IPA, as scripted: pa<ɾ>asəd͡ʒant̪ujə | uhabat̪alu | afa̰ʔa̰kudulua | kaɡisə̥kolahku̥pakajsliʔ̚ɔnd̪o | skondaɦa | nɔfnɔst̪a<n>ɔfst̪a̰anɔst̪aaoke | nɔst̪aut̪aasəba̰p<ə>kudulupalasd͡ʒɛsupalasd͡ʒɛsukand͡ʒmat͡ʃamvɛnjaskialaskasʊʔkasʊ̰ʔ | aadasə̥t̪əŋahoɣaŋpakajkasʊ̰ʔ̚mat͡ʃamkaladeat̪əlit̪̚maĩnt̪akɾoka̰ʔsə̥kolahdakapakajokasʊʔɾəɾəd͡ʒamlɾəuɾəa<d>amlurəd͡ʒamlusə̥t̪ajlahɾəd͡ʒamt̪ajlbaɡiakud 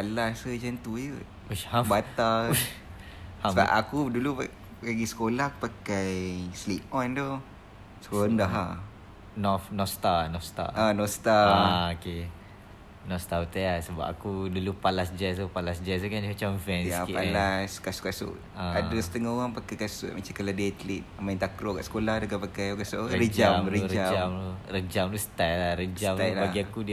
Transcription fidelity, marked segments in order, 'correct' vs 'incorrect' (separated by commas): incorrect, correct, incorrect, incorrect